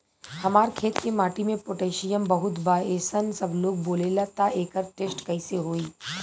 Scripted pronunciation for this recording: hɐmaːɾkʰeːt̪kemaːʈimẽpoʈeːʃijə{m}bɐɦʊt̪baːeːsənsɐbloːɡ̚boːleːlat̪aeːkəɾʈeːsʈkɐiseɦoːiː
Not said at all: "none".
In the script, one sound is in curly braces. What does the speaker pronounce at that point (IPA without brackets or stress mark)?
m